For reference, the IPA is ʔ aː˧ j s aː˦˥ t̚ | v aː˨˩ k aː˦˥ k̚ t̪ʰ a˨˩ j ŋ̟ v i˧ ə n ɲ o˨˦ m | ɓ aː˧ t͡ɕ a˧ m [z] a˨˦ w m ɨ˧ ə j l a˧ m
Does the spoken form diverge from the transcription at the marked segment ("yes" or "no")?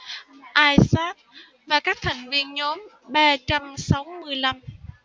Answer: yes